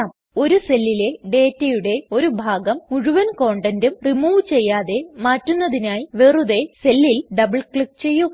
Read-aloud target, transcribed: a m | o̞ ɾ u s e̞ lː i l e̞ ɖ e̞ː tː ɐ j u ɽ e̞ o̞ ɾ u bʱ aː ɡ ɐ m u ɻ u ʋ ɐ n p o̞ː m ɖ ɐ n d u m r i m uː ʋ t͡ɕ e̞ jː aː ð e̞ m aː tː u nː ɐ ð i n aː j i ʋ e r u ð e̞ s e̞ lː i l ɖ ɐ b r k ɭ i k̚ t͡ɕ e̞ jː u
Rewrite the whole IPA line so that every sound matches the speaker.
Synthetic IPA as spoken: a m | o̞ ɾ u s e̞ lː i l e̞ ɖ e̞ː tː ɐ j u ɽ e̞ o̞ ɾ u bʱ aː ɡ ɐ m u ɻ u ʋ ɐ n k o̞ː ɳ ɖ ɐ n d u m r i m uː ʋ t͡ɕ e̞ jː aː ð e̞ m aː tː u nː ɐ ð i n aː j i ʋ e r u ð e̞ s e̞ lː i l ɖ ɐ b ɭ k ɭ i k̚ t͡ɕ e̞ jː u